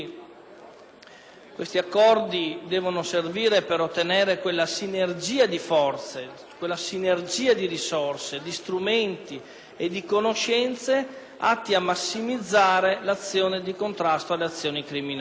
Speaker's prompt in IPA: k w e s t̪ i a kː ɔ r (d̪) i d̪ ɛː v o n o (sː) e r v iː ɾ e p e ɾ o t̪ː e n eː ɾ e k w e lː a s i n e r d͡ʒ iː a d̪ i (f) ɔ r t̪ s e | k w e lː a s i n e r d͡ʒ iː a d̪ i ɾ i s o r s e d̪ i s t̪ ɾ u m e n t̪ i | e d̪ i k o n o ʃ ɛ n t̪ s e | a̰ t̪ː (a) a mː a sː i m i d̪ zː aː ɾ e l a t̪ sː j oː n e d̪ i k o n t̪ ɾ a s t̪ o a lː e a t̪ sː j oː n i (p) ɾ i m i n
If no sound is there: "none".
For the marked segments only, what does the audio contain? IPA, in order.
d̪, s, f, i, k

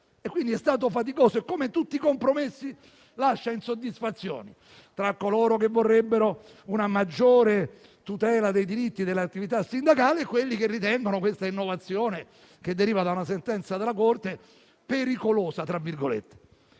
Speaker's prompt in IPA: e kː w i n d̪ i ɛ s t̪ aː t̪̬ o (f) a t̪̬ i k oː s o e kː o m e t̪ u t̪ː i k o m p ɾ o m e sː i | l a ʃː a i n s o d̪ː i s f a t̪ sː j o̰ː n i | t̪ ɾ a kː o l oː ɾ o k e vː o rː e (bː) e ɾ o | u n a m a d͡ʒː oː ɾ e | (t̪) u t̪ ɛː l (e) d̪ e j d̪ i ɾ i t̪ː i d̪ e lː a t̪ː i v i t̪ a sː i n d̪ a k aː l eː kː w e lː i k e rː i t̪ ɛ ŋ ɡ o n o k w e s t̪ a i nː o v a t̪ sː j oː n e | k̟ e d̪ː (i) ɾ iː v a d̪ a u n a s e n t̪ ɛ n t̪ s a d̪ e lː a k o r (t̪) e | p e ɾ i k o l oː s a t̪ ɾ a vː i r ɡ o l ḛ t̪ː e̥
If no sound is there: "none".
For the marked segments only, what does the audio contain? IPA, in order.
f, bː, t̪, a, e, t̪

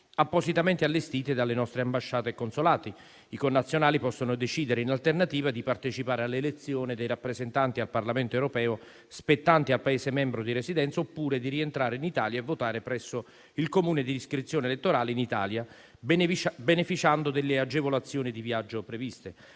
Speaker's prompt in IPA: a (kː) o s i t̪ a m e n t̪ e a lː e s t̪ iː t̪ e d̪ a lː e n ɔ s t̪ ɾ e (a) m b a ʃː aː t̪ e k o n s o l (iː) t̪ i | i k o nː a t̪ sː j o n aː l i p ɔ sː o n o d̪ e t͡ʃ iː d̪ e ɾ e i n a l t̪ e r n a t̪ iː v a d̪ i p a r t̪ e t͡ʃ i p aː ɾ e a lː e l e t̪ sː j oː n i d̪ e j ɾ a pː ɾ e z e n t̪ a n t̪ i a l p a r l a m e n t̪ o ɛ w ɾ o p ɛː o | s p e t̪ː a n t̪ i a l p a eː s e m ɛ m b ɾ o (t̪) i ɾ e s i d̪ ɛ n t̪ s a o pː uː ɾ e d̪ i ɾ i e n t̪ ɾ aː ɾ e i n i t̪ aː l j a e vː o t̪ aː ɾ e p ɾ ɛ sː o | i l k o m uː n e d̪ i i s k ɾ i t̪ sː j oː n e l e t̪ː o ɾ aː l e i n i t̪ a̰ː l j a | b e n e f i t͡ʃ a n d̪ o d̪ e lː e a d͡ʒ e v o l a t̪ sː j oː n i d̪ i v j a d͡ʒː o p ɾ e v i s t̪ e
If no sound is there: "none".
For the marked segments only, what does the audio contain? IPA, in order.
pː, a, aː, d̪

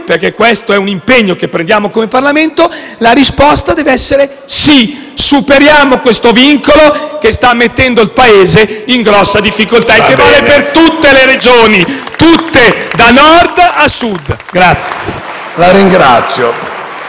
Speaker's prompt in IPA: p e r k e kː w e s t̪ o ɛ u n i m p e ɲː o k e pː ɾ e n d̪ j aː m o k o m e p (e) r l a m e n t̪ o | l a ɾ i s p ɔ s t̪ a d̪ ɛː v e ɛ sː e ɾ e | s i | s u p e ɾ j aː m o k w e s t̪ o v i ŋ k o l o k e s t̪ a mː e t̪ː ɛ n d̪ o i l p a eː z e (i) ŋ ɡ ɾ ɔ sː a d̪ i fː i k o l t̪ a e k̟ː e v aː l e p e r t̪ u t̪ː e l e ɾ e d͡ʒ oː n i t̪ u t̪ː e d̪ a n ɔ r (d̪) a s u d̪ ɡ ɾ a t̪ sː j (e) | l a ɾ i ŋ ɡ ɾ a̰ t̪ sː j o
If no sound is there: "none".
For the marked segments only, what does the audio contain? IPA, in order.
a, i, d̪, e

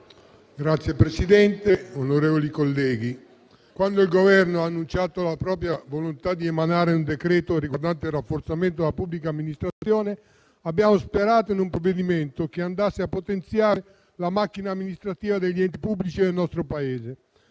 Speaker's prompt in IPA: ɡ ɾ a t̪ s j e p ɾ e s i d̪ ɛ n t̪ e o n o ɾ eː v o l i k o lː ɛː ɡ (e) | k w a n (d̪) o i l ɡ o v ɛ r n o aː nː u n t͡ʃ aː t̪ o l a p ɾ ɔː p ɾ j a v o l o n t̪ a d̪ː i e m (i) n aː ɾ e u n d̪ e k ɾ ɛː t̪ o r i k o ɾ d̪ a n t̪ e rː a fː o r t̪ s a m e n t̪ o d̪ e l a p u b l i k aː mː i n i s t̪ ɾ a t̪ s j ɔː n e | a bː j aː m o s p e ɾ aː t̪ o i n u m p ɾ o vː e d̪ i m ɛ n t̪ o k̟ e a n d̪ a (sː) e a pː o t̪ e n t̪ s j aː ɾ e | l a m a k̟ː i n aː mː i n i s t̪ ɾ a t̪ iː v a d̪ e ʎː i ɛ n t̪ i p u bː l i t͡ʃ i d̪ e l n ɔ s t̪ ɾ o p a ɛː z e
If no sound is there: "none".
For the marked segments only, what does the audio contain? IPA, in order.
i, d̪, a, sː

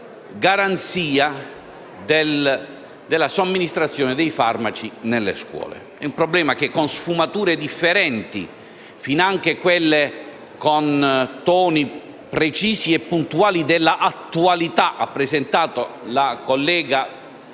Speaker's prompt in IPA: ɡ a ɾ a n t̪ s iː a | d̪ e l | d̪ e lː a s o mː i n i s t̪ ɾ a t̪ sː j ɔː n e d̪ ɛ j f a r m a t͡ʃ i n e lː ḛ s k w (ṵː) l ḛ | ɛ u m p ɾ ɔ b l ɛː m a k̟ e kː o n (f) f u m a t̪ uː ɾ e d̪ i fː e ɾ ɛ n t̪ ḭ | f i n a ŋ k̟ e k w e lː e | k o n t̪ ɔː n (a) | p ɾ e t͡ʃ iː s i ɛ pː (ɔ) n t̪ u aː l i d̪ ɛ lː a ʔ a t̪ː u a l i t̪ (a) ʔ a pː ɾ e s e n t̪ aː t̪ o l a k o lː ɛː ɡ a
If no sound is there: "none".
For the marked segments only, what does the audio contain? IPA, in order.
ɔ̰ː, s, i, u, a

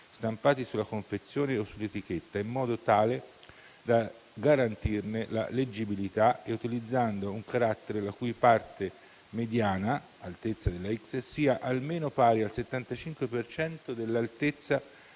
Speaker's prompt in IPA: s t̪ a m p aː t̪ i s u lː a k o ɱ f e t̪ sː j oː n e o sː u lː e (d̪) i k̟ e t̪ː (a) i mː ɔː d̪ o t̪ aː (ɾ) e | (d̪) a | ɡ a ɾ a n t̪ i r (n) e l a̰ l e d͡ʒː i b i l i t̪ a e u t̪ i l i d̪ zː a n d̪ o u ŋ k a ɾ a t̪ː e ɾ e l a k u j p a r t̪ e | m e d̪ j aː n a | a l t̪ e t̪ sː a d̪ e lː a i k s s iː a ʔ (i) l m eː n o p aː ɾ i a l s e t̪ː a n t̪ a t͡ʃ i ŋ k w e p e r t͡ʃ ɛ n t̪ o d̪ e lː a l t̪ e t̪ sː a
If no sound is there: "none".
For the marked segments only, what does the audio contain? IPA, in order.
t̪, a, l, d̪, n, a

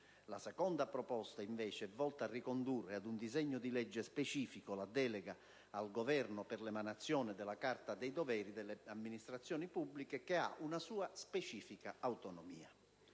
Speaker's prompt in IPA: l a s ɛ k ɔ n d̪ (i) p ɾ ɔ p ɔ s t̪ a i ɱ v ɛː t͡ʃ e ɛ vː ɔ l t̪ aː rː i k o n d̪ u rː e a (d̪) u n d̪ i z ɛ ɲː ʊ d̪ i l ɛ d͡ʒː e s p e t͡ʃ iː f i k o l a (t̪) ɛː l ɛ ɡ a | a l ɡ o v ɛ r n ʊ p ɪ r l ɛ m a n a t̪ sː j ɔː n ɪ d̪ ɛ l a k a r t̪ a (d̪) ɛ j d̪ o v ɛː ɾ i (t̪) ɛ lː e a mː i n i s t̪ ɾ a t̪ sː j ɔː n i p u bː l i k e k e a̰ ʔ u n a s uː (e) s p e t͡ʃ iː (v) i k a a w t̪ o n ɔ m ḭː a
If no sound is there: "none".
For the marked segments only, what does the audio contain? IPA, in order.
a, d̪, d̪, d̪, d̪, a, f

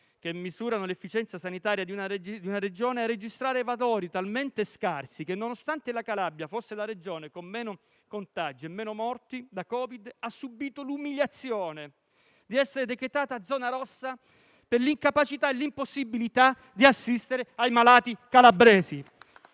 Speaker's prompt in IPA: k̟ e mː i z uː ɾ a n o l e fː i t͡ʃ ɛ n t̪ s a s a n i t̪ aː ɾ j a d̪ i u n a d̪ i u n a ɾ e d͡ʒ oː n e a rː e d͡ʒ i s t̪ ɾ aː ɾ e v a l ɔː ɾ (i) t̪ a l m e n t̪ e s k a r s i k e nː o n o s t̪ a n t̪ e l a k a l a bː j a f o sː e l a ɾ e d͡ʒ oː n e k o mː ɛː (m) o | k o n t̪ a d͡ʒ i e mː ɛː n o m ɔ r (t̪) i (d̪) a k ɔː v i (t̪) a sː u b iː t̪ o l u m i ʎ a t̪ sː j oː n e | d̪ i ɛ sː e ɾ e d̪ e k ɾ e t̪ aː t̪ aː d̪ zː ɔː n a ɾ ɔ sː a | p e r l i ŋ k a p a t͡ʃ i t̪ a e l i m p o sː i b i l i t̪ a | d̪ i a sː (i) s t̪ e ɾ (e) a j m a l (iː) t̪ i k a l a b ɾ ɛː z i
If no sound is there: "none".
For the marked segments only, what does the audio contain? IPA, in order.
i, n, t̪, d̪, d̪, i, e, aː

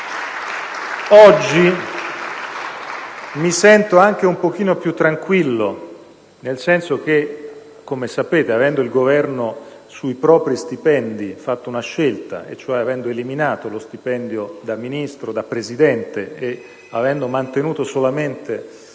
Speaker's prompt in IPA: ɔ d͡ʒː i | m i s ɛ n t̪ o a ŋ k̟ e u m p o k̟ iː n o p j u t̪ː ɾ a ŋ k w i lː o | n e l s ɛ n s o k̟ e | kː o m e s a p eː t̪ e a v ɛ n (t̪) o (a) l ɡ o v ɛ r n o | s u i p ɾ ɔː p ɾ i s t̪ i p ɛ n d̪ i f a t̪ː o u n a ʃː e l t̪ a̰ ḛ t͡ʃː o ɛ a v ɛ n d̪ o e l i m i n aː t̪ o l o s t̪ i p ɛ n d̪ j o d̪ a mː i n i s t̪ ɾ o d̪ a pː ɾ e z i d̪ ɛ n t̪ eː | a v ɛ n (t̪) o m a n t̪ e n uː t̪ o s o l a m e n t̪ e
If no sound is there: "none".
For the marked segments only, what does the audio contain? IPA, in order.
d̪, i, d̪

